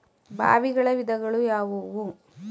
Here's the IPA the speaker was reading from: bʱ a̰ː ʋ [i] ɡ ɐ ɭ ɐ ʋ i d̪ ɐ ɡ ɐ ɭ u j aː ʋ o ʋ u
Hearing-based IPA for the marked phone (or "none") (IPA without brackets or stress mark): i